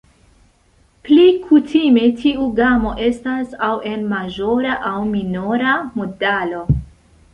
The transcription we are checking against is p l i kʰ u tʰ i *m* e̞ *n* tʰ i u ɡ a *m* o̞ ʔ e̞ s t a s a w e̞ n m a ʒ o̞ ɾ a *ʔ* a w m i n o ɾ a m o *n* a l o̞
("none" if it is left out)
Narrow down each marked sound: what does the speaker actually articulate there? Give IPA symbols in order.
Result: m, none, m, ʔ, d

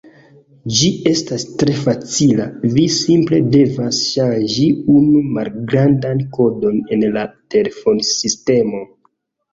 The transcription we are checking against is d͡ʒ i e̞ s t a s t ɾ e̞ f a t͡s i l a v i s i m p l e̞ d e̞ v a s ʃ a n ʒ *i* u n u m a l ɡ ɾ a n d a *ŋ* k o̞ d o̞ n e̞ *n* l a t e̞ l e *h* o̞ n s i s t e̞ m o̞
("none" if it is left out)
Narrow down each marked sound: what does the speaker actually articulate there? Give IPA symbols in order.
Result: i, n, n, f

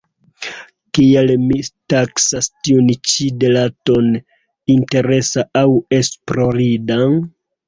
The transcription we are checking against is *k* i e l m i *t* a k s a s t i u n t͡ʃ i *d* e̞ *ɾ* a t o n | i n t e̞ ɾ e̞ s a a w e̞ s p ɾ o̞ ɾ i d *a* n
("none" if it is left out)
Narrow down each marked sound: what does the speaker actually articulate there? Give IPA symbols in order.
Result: k, t, d, l, a

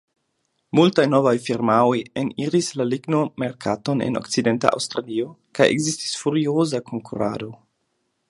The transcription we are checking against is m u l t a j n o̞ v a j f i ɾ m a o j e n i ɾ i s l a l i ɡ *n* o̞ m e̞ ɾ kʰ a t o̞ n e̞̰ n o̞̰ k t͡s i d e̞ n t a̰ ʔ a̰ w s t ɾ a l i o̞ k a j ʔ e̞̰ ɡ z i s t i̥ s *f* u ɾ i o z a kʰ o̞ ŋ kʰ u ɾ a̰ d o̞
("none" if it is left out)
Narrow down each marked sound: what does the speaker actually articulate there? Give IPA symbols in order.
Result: n, f

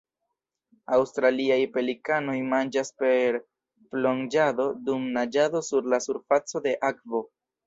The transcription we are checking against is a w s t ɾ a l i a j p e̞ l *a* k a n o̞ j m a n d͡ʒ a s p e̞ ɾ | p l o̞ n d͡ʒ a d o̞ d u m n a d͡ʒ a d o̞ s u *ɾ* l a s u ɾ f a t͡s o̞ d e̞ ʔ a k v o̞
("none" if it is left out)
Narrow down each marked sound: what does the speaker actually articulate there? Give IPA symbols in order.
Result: i, ɾ

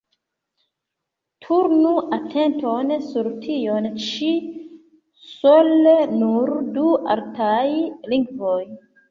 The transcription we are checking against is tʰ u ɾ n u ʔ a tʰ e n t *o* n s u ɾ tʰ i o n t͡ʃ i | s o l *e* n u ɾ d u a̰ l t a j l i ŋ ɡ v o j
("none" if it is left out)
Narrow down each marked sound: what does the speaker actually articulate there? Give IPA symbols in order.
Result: o, e

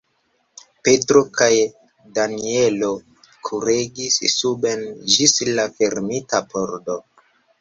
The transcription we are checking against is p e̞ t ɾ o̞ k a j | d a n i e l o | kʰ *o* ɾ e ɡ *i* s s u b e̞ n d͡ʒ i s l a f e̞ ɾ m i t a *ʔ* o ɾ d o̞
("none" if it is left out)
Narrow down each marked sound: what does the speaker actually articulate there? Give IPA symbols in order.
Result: u, i, p

